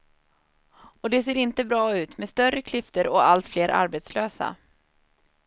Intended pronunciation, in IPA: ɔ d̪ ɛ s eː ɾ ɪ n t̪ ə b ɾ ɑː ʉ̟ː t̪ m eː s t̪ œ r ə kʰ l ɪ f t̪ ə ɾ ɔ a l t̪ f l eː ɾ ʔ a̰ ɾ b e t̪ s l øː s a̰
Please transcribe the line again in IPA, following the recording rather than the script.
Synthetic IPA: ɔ d̪ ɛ s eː ɾ ɪ n t̪ ə b ɾ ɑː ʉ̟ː t̪ m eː s t̪ œ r ə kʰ l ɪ f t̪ ə ɾ ɔ a l t̪ f l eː ɾ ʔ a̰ ɾ b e t̪ s l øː s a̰